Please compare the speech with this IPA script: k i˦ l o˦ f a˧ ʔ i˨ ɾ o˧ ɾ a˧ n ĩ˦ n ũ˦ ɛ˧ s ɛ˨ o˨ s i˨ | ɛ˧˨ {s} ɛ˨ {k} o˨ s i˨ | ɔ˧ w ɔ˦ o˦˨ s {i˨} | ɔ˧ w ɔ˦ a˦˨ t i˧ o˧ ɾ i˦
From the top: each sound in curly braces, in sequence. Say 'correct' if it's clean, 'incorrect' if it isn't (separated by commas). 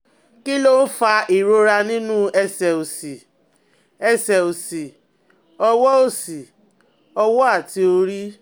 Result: correct, incorrect, correct